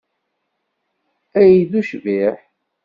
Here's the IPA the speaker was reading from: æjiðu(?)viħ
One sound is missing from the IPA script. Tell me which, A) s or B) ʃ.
B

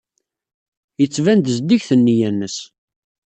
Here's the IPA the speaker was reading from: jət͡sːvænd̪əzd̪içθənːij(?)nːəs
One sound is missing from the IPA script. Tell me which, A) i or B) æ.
B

